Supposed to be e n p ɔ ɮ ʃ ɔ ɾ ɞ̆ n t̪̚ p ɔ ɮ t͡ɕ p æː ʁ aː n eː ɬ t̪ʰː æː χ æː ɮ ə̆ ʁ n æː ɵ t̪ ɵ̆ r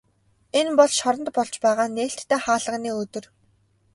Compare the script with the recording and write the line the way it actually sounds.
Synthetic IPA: e n p ɔ ɮ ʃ ɔ ɾ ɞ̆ n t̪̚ p ɔ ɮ t͡ɕ p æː ʁ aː n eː ɬ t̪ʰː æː χ aː ɮ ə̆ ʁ n iː ɵ t̪ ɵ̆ r